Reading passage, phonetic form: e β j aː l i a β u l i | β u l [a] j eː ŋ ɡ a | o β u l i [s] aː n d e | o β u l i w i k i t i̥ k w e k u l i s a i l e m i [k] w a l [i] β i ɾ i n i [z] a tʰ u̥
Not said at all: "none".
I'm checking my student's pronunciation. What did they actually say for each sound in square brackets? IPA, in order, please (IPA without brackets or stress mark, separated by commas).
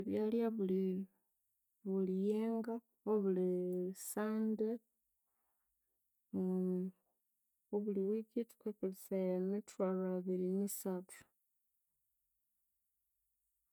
i, s, t, a, s